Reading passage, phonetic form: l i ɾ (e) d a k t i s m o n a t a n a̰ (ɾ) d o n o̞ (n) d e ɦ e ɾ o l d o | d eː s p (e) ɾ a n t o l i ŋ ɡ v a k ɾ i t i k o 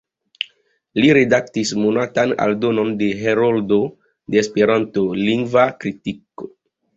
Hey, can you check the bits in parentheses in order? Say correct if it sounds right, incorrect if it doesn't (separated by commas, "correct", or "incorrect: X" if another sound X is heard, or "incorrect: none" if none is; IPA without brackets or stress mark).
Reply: correct, incorrect: l, correct, correct